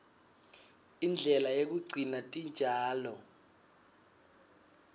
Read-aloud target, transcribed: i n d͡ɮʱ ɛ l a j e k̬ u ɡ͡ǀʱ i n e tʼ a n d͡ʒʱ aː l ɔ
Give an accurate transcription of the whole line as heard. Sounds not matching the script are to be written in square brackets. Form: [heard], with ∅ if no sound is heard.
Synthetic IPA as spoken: i n d͡ɮʱ ɛ l a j e k̬ u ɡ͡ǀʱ i n [a] tʼ [i] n d͡ʒʱ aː l ɔ